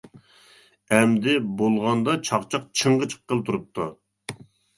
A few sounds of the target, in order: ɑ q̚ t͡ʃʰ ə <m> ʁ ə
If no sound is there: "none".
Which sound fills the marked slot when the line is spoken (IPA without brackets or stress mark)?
ɴ